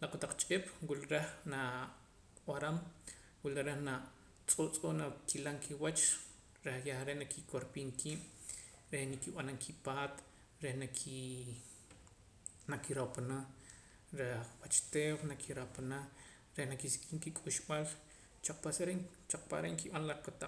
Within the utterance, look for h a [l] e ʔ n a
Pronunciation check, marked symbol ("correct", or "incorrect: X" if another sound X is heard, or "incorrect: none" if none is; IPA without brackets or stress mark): incorrect: ɾ